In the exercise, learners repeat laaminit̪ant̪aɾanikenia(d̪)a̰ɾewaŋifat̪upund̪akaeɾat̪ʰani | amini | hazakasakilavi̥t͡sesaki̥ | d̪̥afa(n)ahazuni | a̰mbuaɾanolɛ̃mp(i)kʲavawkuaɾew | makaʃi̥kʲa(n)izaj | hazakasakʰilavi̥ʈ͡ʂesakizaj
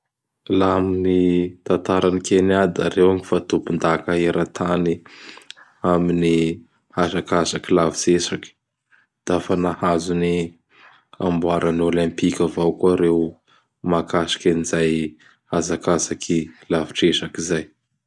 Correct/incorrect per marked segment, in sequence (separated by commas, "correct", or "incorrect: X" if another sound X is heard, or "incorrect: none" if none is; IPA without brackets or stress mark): correct, correct, correct, correct